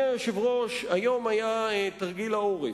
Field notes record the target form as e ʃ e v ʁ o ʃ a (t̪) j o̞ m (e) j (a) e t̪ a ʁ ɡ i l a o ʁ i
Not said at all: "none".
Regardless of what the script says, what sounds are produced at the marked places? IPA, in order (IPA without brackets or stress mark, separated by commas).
none, a, a